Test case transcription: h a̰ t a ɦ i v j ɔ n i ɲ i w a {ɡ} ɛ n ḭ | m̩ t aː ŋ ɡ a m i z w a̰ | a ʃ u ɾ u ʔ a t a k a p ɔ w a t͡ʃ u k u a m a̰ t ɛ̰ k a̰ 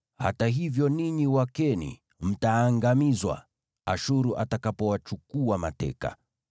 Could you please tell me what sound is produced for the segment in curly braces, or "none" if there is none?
k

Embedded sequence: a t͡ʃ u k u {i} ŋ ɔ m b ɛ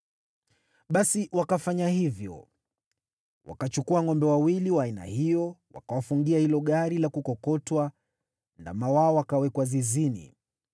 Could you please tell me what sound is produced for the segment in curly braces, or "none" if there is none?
a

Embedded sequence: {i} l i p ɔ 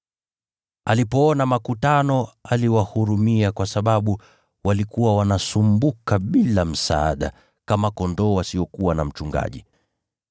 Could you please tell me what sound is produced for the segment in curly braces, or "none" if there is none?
a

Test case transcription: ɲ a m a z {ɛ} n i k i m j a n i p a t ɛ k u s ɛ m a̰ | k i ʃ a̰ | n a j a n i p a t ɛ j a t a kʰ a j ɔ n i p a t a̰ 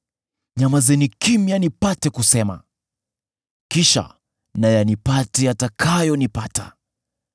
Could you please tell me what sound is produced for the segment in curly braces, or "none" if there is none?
ɛ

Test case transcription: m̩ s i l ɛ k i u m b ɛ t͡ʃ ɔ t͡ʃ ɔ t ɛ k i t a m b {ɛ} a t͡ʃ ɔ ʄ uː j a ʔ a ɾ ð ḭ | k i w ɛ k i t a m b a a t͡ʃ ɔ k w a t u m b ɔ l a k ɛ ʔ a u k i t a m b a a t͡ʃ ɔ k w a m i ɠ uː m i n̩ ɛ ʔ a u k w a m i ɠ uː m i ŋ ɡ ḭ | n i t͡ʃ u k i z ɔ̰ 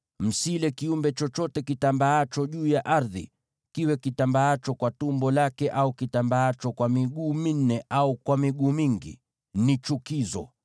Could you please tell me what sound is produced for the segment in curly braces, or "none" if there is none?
a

